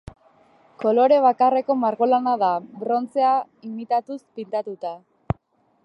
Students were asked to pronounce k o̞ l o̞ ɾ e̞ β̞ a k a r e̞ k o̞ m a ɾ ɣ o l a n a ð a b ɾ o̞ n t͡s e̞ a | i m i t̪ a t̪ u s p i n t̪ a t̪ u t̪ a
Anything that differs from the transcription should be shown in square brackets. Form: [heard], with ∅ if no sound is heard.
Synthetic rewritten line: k o̞ l o̞ ɾ e̞ β̞ a k a r e̞ k o̞ m a ɾ ɣ o l a n a ð a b ɾ o̞ n t͡s e̞ a | i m i t̪ a t̪ u s p i n t̪ a t̪ u t̪ a